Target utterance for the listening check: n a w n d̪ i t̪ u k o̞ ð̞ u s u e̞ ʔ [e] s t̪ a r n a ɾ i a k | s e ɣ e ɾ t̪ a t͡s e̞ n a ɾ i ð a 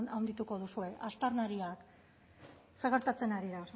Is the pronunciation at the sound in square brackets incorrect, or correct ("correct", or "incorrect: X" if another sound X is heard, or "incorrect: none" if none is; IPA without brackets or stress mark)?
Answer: incorrect: a